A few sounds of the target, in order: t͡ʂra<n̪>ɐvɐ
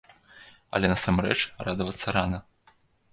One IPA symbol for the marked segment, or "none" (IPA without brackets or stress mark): d̪